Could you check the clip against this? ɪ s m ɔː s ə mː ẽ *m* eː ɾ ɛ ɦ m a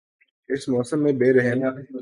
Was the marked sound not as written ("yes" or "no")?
yes